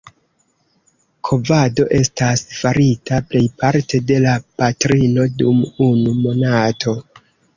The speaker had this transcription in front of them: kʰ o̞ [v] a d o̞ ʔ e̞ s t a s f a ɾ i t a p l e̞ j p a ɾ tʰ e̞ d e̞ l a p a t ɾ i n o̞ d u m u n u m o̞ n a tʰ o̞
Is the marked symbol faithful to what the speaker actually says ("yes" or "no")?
yes